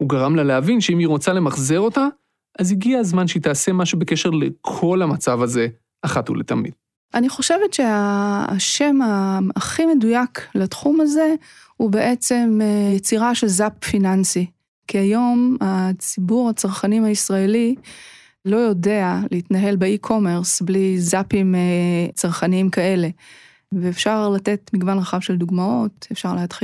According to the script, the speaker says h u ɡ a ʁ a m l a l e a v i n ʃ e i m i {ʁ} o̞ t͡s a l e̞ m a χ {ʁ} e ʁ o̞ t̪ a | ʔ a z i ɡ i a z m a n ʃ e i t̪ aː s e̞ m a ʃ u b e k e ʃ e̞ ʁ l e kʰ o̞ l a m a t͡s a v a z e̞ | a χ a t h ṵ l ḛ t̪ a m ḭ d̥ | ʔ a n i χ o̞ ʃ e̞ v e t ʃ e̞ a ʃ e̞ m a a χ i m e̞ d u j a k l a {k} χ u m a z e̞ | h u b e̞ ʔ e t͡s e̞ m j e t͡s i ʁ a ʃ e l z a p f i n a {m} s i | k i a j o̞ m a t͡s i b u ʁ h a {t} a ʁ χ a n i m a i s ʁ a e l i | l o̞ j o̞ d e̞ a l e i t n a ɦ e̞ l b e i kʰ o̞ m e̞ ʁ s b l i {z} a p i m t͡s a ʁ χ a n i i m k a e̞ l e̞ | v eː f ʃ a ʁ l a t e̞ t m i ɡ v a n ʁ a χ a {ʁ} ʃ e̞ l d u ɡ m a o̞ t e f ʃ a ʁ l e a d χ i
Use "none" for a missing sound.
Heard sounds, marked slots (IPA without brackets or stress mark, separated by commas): ʁ, z, t, n, t͡s, z, v